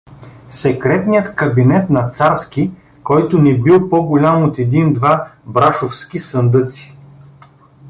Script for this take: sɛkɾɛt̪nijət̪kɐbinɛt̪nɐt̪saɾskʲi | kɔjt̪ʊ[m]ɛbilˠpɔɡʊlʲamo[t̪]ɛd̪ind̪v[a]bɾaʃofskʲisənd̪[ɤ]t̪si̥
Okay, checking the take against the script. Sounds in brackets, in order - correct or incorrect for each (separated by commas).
incorrect, correct, correct, correct